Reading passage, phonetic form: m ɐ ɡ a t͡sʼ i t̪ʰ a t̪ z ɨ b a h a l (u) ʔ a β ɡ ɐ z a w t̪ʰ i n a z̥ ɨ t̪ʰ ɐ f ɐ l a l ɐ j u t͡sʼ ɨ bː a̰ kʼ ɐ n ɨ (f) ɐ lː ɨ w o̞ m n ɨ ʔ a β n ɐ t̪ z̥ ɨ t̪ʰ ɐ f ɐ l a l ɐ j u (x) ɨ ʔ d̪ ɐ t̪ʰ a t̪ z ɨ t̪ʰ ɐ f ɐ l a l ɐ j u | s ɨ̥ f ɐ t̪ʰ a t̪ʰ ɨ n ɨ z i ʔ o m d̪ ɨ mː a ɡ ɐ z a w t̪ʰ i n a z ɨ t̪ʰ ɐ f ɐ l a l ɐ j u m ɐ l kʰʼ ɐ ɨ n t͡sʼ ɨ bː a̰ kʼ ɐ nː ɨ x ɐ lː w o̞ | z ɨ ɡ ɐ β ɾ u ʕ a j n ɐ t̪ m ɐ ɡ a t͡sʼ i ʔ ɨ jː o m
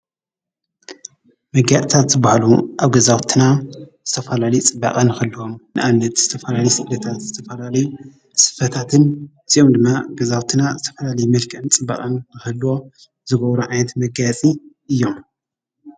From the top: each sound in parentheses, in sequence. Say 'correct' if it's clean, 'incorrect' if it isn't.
correct, incorrect, incorrect

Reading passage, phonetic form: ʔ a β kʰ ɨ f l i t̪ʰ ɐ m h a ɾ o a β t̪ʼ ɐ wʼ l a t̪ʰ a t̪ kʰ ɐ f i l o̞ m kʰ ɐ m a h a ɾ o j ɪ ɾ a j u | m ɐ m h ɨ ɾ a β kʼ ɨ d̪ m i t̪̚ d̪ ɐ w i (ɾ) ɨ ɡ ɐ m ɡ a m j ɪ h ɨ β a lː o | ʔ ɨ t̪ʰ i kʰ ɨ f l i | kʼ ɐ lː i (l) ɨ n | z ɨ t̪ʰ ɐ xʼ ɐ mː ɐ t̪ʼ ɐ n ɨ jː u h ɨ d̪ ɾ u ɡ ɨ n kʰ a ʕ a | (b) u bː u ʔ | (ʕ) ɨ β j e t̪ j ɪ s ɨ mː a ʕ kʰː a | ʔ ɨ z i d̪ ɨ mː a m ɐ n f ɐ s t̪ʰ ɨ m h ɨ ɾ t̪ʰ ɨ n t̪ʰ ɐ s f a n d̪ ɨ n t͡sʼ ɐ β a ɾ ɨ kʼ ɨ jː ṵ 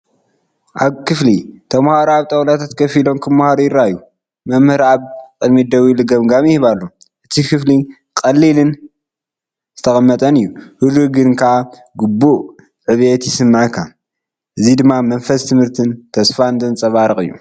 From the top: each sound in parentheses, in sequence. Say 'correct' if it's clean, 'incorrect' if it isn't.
incorrect, correct, incorrect, correct

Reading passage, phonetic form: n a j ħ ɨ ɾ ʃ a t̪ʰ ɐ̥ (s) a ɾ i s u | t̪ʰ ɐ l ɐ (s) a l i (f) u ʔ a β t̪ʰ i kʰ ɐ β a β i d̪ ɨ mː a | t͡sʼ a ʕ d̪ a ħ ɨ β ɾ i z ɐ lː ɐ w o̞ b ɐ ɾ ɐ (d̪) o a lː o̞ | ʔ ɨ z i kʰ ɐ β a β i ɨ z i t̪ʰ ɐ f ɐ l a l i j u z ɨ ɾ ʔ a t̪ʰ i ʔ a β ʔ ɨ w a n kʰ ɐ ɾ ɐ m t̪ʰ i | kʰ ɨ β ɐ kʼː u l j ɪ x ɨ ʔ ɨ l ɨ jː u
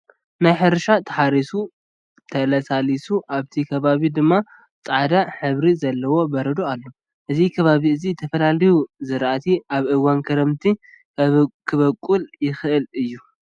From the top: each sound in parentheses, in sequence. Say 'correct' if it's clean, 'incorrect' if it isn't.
incorrect, correct, incorrect, correct

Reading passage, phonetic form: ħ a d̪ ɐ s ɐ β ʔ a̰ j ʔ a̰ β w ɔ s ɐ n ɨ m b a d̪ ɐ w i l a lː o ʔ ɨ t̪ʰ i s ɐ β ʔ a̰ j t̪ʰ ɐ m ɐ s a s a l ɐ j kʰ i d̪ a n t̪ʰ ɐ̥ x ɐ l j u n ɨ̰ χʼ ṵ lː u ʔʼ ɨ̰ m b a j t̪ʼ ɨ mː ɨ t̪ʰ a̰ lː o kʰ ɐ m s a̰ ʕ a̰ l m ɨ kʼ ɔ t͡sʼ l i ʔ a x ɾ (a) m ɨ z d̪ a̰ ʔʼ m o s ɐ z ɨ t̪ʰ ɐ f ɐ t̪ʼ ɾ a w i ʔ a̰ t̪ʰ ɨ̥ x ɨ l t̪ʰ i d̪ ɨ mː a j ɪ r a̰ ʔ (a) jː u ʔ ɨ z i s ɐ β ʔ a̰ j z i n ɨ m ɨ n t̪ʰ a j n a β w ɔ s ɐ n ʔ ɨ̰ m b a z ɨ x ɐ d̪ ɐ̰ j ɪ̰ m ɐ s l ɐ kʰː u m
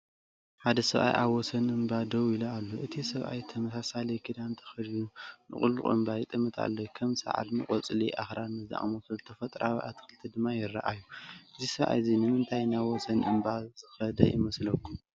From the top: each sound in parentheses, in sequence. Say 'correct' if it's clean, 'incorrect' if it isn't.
correct, correct

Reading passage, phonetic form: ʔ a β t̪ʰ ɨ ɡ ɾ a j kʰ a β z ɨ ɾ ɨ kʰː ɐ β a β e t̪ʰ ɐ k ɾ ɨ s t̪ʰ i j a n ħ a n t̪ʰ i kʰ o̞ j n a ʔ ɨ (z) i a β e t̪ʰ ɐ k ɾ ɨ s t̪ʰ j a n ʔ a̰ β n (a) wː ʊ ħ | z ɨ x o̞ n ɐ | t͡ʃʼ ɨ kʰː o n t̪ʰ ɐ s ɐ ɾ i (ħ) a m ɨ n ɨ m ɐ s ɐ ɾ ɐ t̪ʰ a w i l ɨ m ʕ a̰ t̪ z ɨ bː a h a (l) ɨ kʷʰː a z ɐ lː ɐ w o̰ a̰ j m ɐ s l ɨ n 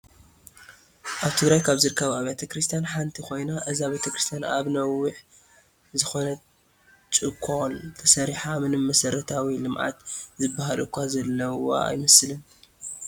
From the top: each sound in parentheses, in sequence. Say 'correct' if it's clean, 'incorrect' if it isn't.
correct, incorrect, correct, correct

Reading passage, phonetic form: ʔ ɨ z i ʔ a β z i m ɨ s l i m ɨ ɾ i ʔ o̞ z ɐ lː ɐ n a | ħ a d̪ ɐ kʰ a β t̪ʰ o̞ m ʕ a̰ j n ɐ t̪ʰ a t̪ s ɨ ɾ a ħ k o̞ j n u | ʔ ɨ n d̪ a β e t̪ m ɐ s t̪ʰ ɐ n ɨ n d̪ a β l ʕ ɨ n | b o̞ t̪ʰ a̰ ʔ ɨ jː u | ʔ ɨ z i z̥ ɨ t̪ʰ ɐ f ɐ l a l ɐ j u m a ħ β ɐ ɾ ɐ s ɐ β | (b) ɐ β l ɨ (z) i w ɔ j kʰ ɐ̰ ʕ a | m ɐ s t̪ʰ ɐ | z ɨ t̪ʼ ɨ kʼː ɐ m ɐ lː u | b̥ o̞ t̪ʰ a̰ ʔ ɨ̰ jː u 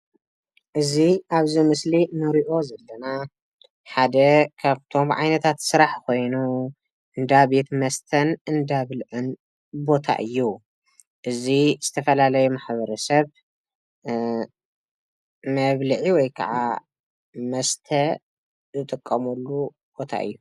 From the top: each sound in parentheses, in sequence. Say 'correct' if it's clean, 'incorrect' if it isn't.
incorrect, incorrect

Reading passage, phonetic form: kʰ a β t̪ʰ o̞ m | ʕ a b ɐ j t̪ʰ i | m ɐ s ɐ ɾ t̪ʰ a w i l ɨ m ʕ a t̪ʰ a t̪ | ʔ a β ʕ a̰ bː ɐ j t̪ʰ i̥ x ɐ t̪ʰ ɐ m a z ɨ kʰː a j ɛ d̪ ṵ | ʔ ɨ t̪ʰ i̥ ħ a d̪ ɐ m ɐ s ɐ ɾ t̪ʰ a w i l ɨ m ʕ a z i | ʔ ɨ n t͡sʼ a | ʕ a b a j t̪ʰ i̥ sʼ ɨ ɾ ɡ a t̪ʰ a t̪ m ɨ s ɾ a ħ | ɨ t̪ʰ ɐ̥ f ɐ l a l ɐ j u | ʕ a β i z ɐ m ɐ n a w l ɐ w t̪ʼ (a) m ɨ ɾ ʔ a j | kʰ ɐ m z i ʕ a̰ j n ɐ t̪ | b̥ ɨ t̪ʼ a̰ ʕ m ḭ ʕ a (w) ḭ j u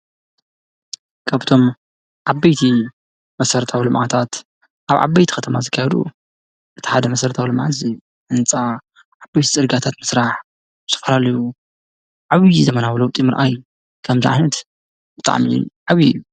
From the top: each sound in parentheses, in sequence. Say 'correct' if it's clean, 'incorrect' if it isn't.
incorrect, incorrect

